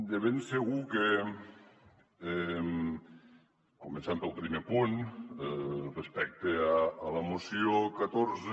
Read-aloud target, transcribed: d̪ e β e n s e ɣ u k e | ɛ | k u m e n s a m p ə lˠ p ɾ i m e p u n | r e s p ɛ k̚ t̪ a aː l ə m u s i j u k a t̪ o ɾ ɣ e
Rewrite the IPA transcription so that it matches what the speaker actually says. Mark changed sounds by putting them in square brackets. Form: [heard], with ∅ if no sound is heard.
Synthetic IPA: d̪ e β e n s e ɣ u k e | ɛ | k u m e n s a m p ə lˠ p ɾ i m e p u n | r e s p ɛ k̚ t̪ [e] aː l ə m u s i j [o] k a t̪ o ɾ [z] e